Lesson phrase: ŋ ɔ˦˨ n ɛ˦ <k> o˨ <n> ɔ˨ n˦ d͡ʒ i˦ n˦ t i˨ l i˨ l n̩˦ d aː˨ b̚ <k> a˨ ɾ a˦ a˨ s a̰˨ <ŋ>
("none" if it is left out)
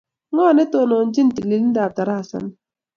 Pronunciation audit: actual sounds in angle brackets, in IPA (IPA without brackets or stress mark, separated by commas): t, n, t, n